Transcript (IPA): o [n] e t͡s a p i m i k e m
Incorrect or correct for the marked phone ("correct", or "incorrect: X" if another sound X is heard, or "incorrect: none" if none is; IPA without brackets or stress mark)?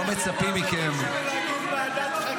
incorrect: m